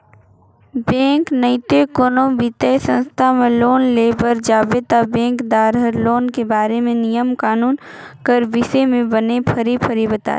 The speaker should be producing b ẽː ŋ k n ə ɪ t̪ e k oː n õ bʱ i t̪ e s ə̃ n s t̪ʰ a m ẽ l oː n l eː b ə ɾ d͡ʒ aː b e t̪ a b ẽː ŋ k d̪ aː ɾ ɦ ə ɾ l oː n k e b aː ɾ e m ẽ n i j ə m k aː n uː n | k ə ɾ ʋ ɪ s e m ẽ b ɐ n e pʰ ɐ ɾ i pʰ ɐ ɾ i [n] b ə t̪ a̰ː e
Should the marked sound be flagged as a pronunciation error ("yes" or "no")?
yes